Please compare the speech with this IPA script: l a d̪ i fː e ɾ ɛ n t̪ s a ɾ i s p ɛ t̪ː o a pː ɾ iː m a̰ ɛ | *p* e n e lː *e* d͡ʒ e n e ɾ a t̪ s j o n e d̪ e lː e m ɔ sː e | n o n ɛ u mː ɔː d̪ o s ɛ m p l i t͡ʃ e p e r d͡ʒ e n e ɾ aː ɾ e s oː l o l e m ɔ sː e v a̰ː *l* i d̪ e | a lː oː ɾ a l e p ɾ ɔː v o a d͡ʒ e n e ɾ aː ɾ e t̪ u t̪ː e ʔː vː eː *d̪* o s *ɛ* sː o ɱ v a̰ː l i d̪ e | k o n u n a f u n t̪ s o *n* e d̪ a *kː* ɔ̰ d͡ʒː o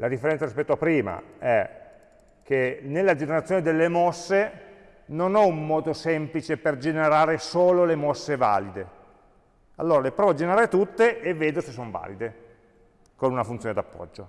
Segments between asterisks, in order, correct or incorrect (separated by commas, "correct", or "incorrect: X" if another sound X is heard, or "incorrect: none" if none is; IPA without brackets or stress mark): incorrect: k, incorrect: a, correct, correct, incorrect: e, correct, incorrect: pː